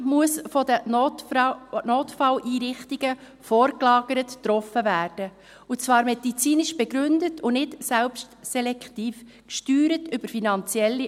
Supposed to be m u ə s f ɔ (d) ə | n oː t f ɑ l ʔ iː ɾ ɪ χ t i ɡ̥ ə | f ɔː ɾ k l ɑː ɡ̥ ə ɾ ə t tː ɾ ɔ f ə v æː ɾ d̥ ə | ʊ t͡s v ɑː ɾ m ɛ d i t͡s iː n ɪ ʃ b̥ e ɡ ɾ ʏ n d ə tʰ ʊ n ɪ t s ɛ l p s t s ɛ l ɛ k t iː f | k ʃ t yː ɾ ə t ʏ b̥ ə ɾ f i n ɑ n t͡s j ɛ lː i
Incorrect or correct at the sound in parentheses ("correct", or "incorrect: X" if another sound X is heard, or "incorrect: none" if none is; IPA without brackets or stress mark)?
correct